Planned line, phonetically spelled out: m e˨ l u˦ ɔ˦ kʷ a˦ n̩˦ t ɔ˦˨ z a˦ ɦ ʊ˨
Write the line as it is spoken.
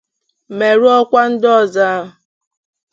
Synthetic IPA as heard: m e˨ ɾ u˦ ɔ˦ kʷ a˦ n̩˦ d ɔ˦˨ z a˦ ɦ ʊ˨